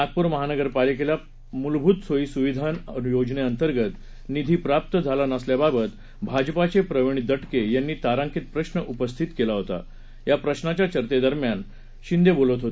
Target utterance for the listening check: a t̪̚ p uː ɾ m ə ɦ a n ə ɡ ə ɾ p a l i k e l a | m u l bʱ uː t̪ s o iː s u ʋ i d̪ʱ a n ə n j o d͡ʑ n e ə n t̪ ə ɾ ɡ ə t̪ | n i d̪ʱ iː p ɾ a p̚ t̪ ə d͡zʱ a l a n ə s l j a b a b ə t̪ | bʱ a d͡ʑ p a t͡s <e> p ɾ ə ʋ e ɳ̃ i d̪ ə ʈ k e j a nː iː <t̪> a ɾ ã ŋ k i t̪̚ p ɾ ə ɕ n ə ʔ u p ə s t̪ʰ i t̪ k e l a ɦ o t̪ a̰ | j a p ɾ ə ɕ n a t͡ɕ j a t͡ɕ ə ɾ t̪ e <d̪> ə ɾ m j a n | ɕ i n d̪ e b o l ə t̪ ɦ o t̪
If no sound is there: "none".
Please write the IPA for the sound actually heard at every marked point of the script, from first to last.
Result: e, t̪, d̪

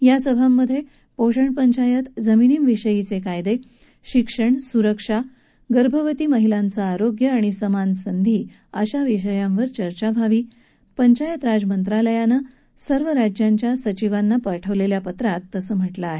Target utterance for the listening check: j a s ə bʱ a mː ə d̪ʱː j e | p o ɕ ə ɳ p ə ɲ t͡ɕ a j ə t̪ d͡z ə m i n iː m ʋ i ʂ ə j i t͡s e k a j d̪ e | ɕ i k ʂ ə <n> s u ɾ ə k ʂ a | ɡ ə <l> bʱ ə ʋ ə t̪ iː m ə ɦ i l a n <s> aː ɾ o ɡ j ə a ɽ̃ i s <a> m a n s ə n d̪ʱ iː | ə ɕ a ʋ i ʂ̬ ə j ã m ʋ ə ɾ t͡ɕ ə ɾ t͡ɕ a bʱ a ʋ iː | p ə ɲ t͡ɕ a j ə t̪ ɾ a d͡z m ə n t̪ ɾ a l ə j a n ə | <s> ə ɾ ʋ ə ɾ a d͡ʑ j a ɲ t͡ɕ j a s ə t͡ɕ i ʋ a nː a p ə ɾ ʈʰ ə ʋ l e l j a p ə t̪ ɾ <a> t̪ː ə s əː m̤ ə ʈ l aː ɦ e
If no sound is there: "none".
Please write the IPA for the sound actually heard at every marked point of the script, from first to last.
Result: ɳ, ɾ, t͡s, ə, s, a

